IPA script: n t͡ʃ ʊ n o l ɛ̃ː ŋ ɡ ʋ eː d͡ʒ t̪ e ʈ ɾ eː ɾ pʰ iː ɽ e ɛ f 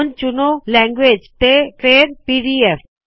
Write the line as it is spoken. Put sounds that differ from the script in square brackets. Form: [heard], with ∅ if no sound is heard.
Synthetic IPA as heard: n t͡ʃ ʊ n o l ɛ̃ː ŋ ɡ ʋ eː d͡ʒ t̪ e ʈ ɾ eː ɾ [p] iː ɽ [i] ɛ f